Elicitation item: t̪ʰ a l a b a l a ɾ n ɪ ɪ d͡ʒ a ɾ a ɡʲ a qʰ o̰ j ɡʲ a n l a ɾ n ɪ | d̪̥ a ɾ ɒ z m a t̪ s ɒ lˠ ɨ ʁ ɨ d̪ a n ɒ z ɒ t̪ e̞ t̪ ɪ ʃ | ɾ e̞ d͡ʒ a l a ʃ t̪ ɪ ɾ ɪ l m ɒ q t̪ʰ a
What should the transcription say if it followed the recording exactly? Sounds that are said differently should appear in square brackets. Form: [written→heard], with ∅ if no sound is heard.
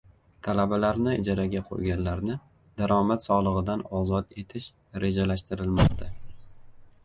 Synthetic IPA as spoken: t̪ʰ a l a b a l a ɾ n ɪ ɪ d͡ʒ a ɾ a ɡʲ a qʰ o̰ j ɡʲ a n l a ɾ n ɪ | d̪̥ a ɾ ɒ [z→∅] m a t̪ s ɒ lˠ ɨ ʁ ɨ d̪ a n ɒ z ɒ t̪ e̞ [t̪→t̪ʰ] ɪ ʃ | ɾ e̞ d͡ʒ a l a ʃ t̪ ɪ ɾ ɪ l m ɒ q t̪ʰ a